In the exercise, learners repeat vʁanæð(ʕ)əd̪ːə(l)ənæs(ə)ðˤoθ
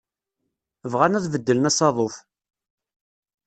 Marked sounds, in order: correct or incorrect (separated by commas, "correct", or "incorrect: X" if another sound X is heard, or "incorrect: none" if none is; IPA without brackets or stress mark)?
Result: incorrect: v, correct, incorrect: ɑ